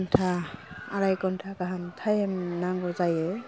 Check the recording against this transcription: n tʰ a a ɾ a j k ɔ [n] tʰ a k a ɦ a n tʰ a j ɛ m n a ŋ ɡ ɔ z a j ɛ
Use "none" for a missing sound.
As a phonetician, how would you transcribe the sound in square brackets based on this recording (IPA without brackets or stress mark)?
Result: n